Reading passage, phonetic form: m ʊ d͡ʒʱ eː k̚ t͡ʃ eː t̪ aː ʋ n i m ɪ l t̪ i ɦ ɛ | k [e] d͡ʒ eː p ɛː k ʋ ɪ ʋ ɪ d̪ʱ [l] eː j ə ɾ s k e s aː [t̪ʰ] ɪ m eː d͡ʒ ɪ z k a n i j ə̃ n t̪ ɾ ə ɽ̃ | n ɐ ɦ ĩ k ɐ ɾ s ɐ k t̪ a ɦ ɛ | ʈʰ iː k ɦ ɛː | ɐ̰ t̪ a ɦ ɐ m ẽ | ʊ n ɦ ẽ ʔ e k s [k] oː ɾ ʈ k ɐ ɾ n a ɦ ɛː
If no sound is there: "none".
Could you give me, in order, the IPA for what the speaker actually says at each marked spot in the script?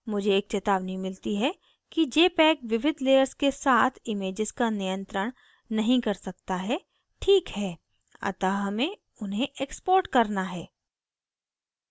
i, l, t̪ʰ, p

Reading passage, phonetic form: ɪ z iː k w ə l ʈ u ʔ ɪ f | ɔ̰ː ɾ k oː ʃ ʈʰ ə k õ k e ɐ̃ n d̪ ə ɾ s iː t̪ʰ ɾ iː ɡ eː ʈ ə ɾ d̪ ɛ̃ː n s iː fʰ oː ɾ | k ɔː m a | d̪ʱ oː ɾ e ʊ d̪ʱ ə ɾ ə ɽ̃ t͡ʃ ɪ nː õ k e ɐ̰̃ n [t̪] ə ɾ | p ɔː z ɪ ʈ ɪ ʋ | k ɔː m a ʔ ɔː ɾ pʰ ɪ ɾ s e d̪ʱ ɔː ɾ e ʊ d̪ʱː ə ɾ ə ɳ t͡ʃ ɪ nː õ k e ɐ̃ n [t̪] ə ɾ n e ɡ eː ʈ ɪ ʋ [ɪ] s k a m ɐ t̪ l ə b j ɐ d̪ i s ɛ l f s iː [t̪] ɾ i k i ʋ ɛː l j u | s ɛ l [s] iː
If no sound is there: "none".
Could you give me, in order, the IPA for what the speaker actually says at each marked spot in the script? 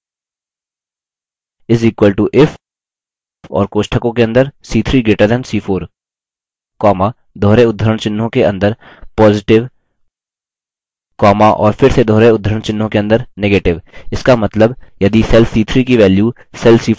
d̪, d̪, ɪ, t̪ʰ, s

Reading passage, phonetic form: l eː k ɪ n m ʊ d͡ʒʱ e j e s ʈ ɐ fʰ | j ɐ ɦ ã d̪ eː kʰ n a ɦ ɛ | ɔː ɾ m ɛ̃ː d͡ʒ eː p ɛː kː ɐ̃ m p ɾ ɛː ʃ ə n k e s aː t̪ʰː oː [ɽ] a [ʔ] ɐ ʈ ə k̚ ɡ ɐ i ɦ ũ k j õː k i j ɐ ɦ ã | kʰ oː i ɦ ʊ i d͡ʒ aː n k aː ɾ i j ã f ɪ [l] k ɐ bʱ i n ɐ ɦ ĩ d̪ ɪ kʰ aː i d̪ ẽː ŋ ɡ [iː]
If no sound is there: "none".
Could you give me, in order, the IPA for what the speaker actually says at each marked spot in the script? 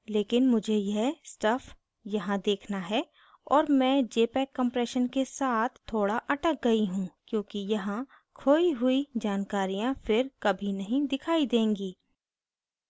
ɽ, ʔ, ɾ, iː

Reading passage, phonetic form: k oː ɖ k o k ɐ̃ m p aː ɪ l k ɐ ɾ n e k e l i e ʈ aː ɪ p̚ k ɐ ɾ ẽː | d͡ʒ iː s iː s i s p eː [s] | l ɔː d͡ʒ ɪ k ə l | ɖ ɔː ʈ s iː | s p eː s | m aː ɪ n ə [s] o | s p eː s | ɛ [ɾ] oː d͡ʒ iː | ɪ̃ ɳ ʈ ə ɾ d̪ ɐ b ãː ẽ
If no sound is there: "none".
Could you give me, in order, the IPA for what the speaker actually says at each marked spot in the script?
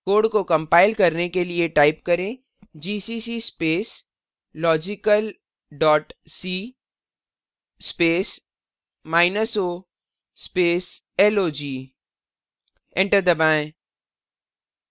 s, s, l

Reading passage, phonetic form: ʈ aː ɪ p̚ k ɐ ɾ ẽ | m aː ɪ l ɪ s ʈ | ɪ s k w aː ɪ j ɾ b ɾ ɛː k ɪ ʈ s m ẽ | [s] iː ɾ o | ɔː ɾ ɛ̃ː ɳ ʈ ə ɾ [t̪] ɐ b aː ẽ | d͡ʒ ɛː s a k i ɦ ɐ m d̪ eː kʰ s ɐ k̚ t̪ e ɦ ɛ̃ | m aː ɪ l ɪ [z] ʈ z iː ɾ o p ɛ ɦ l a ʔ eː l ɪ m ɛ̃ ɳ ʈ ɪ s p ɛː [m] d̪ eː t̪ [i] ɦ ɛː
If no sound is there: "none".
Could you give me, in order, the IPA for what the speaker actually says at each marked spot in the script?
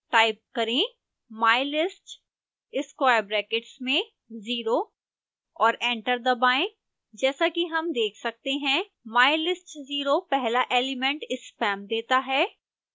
z, d̪, s, m, a

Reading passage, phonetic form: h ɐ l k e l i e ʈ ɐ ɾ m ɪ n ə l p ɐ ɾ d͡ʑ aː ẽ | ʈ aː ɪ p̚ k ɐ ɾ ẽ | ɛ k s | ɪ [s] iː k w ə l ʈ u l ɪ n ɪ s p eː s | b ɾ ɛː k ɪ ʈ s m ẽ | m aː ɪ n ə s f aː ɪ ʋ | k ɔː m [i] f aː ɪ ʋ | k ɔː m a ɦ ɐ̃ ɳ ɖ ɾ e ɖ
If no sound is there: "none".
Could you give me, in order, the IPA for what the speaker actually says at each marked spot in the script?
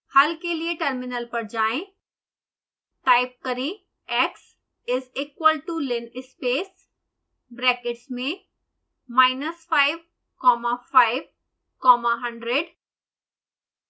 z, a

